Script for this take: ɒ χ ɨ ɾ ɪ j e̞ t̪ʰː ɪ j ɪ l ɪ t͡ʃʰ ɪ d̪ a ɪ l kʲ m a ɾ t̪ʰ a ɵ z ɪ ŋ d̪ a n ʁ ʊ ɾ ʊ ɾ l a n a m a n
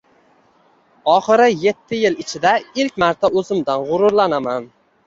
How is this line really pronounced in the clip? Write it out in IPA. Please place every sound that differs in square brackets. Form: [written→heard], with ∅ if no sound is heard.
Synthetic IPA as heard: ɒ χ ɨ ɾ ɪ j e̞ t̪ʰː ɪ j ɪ l ɪ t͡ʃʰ ɪ d̪ a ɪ l kʲ m a ɾ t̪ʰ a ɵ z ɪ [ŋ→m] d̪ a n ʁ ʊ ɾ ʊ ɾ l a n a m a n